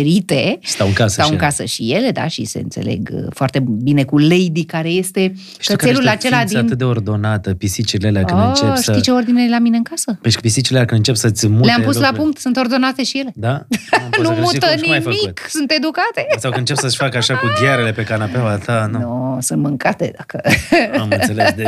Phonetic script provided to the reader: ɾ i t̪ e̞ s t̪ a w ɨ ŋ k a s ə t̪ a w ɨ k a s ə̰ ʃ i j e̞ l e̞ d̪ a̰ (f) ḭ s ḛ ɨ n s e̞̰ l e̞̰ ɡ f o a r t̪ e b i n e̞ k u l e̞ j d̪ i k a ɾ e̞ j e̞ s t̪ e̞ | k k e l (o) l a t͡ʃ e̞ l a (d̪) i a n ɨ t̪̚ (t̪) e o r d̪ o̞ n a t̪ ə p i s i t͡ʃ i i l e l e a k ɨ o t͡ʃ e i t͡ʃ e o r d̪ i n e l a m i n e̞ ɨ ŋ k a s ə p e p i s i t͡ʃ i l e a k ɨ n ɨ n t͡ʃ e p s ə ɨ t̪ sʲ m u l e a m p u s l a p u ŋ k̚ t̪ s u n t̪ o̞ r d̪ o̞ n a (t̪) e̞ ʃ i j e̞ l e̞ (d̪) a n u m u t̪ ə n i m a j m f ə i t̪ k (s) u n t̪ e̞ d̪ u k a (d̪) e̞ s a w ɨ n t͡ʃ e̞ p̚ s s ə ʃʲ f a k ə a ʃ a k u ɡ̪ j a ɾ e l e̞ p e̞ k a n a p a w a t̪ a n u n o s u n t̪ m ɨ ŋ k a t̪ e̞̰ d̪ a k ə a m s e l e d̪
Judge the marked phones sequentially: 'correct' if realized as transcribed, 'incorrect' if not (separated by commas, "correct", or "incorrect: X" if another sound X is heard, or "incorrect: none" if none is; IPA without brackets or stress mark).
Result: incorrect: ʃ, incorrect: u, correct, incorrect: d̪, correct, correct, correct, incorrect: t̪